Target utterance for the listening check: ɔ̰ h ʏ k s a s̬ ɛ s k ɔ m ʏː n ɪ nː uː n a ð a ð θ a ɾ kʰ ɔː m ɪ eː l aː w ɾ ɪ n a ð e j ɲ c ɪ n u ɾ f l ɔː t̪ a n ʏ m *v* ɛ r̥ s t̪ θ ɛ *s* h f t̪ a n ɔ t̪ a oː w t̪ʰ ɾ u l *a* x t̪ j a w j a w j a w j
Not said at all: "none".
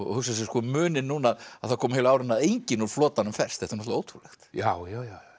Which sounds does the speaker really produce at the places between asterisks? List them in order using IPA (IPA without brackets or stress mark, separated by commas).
f, none, ɛ